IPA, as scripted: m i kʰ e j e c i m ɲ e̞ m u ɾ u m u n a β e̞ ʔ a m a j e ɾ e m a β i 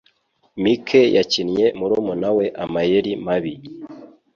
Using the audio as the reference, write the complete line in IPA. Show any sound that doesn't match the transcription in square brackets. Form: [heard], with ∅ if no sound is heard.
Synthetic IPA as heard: m i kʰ e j [a] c i [n] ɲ e̞ m u ɾ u m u n a [w] e̞ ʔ a m a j e ɾ [i] m a β i